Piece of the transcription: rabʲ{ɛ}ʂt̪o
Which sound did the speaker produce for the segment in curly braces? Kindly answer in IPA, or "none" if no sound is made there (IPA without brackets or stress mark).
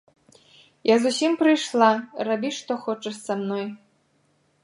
i